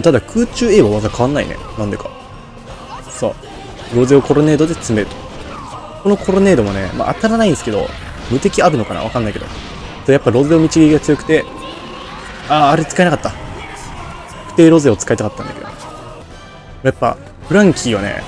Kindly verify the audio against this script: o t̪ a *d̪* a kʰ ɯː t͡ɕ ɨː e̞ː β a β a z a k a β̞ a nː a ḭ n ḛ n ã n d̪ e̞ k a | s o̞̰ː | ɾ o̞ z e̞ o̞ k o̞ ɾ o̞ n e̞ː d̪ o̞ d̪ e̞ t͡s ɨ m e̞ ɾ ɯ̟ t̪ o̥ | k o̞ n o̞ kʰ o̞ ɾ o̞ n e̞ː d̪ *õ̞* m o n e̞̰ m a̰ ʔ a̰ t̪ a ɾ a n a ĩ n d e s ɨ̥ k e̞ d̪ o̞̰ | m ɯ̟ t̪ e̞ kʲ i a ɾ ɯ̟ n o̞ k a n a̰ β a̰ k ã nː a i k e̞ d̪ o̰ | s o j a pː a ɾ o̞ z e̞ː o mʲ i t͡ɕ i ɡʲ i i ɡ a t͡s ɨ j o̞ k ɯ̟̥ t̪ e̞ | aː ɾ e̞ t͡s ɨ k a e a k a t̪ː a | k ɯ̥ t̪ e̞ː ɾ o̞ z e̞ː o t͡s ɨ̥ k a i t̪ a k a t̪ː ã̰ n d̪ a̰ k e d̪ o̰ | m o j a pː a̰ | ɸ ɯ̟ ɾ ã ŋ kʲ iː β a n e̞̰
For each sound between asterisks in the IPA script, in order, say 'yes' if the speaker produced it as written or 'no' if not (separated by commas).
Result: yes, no